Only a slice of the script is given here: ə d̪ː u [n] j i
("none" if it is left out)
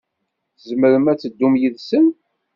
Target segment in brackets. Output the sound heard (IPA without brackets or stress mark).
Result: m